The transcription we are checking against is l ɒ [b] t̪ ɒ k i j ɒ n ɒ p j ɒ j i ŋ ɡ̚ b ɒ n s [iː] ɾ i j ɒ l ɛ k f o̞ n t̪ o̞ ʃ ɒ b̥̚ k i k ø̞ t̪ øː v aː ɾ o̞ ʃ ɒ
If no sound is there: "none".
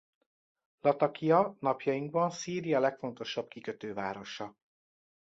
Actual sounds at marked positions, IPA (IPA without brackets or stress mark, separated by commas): none, iː